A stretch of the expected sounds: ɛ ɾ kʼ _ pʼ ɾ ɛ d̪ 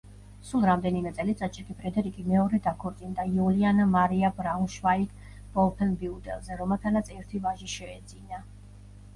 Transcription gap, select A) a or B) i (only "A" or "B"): B